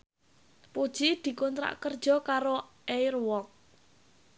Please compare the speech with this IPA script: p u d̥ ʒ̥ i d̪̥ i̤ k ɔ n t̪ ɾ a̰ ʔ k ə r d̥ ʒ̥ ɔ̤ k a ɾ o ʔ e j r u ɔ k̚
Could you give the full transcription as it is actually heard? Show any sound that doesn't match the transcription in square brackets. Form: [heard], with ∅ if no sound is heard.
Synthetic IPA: p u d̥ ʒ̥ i d̪̥ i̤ k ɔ n t̪ ɾ a̰ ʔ k ə r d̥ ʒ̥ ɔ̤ k a ɾ o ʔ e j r [w] ɔ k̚